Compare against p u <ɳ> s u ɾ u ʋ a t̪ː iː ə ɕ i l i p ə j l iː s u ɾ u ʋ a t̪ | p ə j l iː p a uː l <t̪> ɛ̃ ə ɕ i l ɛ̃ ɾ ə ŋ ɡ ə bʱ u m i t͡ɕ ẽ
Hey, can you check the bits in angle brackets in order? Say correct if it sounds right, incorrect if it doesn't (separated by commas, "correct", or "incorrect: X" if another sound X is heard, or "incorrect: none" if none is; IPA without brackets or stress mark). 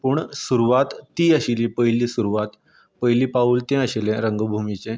correct, correct